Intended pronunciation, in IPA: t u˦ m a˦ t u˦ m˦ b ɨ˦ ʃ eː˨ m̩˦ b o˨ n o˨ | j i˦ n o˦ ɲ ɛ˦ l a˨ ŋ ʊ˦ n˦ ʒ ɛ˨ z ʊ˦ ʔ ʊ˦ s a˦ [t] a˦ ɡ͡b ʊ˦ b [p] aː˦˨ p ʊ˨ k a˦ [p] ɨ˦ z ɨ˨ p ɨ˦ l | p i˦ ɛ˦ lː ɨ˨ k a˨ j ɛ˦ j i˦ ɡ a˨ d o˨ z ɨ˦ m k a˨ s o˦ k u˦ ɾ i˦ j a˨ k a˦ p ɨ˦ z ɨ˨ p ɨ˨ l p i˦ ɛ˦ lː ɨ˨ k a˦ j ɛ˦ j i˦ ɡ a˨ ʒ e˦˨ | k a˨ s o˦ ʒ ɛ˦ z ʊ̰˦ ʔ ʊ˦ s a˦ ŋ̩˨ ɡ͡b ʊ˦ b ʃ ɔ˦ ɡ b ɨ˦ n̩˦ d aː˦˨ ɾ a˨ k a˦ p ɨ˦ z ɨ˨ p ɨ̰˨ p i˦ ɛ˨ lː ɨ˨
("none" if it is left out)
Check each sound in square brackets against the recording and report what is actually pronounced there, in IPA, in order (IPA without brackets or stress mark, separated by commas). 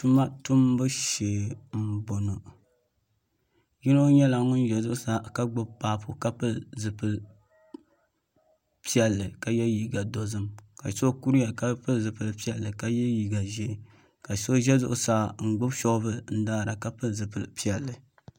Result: k, p, p